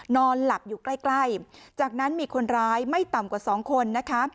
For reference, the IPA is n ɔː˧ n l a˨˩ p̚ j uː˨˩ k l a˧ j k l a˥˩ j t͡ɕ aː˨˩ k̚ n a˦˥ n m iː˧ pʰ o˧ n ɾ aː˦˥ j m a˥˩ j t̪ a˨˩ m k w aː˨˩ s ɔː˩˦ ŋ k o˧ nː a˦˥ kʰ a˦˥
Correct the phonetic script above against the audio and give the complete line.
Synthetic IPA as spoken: n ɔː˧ n l a˨˩ p̚ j uː˨˩ k l a˥˩ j k l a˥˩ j t͡ɕ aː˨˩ k̚ n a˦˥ n m iː˧ kʰ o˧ n ɾ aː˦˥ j m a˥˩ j t̪ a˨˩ m k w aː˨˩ s ɔː˩˦ ŋ kʰ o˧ nː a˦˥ kʰ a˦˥